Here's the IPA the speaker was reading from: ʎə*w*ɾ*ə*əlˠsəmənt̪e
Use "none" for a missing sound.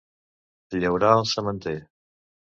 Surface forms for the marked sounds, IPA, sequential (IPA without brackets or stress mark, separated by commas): w, a